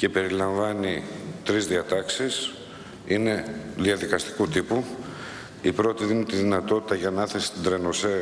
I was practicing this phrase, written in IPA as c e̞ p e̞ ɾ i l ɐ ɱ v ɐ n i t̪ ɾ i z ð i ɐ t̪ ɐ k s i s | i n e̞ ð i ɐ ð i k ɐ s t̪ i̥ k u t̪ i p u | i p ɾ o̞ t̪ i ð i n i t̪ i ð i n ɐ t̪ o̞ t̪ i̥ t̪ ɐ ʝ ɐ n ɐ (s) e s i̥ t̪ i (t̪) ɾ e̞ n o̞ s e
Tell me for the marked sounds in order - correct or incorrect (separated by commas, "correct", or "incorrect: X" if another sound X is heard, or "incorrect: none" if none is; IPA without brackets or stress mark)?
incorrect: θ, incorrect: d̪